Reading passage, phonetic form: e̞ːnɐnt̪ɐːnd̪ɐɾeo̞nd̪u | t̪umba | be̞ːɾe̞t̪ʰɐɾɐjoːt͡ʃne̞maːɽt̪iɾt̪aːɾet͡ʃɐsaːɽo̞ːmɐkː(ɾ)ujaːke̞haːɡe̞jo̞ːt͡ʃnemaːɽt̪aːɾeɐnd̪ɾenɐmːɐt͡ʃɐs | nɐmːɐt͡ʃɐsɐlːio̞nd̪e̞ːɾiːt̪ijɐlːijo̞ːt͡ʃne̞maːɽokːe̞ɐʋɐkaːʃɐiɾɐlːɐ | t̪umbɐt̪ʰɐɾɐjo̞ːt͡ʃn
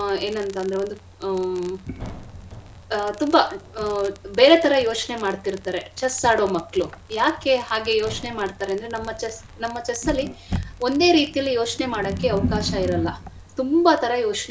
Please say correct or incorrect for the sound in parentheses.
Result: incorrect